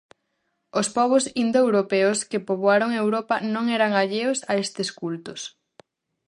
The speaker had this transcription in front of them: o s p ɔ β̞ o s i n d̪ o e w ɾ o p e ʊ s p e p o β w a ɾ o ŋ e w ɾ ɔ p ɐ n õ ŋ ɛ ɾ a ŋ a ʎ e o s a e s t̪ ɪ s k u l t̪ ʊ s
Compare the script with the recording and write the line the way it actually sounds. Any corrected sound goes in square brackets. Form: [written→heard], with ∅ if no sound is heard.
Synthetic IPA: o s p ɔ β̞ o s i n d̪ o e w ɾ o p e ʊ s [p→k] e p o β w a ɾ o ŋ e w ɾ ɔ p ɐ n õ ŋ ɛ ɾ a ŋ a ʎ e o s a e s t̪ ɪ s k u l t̪ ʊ s